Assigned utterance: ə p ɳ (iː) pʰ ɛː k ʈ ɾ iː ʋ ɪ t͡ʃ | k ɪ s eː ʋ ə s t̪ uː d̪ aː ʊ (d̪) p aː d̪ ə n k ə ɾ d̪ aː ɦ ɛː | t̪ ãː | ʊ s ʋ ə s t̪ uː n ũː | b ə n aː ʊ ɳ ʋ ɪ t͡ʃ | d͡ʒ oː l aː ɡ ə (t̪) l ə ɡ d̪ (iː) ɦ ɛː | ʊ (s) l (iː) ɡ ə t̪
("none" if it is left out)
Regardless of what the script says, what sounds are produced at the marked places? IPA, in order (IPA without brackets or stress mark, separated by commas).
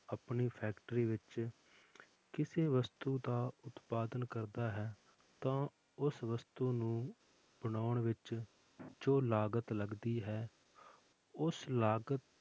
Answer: iː, t̪, t̪, iː, s, aː